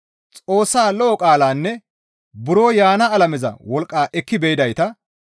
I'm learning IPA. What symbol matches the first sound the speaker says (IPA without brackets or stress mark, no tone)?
t͡sʼ